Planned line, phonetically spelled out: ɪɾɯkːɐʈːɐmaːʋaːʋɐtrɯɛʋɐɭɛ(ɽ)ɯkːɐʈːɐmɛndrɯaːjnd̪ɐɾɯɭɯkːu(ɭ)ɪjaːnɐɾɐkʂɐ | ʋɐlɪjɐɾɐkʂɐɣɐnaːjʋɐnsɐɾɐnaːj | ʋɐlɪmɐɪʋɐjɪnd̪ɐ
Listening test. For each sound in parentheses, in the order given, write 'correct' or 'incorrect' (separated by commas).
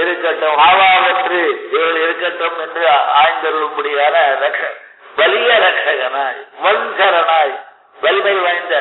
incorrect, incorrect